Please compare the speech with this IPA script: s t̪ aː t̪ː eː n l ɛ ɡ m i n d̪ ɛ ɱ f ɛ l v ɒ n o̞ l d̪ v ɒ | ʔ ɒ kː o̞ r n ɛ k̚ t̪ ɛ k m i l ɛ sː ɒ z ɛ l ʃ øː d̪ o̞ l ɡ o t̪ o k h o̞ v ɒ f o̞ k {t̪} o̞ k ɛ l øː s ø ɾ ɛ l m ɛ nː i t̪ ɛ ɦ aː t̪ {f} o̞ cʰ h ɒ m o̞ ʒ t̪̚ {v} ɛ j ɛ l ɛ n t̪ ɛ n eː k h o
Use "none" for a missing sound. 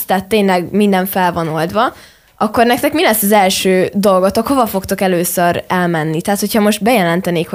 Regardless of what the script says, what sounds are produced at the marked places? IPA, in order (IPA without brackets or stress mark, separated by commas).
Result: t̪, h, b